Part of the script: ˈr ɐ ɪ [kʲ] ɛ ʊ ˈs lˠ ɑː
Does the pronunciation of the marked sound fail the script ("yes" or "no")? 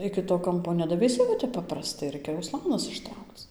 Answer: no